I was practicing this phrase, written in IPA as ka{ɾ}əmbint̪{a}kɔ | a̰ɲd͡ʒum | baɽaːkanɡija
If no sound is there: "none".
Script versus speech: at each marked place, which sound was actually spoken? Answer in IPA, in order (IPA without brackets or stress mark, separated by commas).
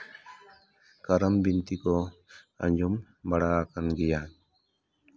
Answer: ɾ, i